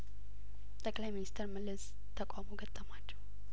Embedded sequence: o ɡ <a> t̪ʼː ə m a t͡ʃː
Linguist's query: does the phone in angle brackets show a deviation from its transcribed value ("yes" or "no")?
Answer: yes